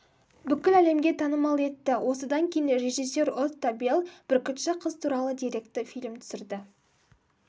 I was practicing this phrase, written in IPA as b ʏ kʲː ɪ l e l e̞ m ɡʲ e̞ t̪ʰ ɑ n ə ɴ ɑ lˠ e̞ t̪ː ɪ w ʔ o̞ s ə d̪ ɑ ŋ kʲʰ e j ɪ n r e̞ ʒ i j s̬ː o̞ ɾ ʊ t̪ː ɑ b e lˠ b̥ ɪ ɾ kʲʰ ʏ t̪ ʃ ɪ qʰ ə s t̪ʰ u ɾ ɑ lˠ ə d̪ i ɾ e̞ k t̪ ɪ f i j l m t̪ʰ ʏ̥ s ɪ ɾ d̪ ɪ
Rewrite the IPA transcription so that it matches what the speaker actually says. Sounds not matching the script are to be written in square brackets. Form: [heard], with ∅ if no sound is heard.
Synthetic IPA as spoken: b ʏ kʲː ɪ l [æ] l e̞ m ɡʲ e̞ t̪ʰ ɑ n ə [m] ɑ lˠ e̞ t̪ː ɪ w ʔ o̞ s ə d̪ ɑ ŋ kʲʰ e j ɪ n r e̞ ʒ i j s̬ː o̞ ɾ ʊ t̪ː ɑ b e lˠ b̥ ɪ ɾ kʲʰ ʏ t̪ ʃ ɪ qʰ ə [z] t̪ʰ u ɾ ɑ lˠ ə d̪ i ɾ e̞ k t̪ ɪ f i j l m t̪ʰ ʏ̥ s ɪ ɾ d̪ ɪ